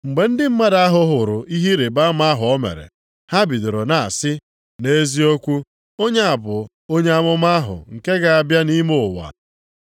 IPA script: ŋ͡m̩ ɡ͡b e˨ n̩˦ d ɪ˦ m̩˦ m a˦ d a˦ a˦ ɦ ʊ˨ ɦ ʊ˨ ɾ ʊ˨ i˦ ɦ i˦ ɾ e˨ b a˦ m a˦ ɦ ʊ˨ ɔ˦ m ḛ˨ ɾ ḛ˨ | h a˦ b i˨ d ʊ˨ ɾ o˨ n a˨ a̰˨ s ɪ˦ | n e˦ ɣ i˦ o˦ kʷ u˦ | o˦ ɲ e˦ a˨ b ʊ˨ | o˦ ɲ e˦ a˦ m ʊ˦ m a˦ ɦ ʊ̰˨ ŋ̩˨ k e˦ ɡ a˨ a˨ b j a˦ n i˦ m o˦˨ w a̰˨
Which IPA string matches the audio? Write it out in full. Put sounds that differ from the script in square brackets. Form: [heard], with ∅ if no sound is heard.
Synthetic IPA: ŋ͡m̩ ɡ͡b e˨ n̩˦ d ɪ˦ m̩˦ m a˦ d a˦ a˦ ɦ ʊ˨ ɦ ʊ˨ ɾ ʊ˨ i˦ ɦ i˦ ɾ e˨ b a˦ m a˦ ɦ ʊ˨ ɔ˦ m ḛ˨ ɾ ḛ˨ | h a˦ b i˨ d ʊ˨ ɾ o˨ n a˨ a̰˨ s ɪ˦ | n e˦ [z] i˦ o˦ kʷ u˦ | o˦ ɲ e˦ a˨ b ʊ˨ | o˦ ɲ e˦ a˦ m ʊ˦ m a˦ ɦ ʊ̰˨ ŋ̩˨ k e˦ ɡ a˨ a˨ b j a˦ n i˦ m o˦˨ w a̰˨

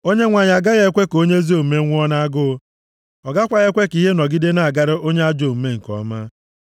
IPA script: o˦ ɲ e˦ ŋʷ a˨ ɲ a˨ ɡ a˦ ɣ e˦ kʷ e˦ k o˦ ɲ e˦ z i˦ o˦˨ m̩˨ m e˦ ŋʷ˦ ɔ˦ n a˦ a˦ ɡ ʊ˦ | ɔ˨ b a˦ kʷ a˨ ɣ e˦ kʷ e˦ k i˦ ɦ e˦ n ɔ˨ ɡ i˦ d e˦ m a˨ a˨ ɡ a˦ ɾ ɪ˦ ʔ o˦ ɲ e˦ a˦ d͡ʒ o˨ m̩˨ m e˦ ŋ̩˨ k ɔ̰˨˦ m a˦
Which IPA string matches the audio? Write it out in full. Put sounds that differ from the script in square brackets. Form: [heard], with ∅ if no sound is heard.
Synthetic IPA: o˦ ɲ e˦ ŋʷ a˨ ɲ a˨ ɡ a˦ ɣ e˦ kʷ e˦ k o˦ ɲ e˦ z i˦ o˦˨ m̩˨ m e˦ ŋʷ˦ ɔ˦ n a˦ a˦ ɡ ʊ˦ | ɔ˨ [ɡ] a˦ kʷ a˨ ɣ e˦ kʷ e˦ k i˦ ɦ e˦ n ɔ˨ ɡ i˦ d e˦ [n] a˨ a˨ ɡ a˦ ɾ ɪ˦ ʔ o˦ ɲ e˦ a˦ d͡ʒ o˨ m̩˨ m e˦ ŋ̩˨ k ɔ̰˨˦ m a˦

